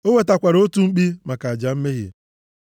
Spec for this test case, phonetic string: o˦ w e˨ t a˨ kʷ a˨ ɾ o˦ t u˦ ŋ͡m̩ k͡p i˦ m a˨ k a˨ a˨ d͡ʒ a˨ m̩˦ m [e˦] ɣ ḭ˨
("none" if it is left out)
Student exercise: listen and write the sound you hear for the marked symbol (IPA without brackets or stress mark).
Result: e˦